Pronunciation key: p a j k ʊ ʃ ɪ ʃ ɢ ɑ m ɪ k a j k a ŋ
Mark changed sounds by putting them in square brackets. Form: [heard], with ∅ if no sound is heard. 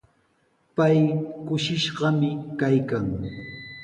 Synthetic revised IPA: p a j k ʊ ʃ ɪ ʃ ɢ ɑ m ɪ k a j k a ŋ

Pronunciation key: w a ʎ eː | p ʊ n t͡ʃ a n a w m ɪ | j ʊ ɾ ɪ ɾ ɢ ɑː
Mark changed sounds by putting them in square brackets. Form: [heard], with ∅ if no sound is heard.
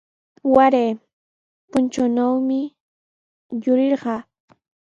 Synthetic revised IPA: w a [ɾ] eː | p ʊ n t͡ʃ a n a w m ɪ | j ʊ ɾ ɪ ɾ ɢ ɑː

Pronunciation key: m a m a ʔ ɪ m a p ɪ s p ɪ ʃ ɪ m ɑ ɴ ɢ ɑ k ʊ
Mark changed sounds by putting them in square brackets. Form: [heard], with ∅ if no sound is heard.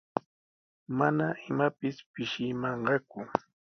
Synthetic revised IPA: m a [n] a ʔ ɪ m a p ɪ s p ɪ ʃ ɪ m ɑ ɴ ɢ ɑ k ʊ

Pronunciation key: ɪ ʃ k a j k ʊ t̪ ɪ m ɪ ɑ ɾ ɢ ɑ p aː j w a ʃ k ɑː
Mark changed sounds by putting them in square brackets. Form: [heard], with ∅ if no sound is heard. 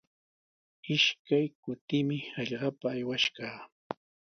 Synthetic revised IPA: ɪ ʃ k a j k ʊ t̪ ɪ m ɪ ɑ [ʎ] ɢ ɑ p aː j w a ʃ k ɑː

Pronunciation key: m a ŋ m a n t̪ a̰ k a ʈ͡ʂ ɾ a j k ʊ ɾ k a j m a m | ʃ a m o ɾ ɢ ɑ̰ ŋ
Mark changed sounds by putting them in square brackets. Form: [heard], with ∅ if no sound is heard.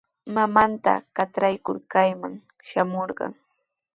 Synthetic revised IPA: m a [∅] m a n t̪ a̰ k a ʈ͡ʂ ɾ a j k ʊ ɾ k a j m a [ŋ] | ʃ a m o ɾ ɢ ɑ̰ ŋ

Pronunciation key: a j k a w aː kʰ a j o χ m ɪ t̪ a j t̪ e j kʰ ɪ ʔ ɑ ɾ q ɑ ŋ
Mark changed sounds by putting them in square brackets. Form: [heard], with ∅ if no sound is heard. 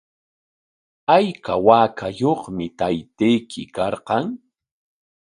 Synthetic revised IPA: a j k a w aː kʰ a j o χ m ɪ t̪ a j t̪ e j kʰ ɪ [k] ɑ ɾ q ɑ ŋ

